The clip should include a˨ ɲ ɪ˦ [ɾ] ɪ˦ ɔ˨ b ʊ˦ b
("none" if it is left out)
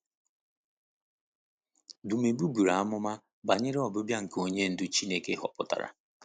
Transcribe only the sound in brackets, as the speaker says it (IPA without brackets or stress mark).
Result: ɾ